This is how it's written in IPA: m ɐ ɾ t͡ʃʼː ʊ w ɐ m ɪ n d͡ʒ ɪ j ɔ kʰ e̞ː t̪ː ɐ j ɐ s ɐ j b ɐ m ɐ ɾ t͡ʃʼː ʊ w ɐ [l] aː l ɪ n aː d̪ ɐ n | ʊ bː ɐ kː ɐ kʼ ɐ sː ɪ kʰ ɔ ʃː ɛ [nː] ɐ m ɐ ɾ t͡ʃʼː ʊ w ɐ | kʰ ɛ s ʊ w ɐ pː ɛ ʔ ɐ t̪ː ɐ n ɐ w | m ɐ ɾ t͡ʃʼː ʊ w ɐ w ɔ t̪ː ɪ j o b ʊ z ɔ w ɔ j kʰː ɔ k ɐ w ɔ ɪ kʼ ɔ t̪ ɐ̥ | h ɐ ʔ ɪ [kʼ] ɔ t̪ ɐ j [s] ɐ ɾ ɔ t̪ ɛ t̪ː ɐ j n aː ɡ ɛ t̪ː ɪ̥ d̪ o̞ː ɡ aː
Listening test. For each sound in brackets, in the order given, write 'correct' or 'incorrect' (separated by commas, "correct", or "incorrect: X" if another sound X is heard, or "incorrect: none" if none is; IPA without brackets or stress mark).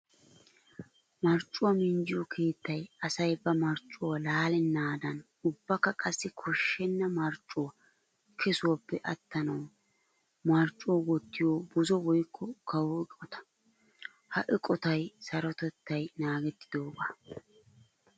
correct, correct, correct, correct